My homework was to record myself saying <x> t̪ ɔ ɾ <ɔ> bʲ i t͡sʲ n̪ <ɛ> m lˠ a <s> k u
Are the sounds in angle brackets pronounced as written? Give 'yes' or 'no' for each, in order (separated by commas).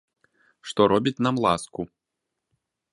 no, yes, no, yes